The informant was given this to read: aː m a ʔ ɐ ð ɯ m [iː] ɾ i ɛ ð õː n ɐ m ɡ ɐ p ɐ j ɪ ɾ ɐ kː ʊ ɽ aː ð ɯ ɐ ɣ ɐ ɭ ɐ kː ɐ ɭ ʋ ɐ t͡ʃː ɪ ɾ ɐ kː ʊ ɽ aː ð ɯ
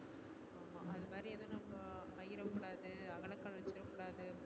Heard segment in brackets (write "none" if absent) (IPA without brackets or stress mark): aː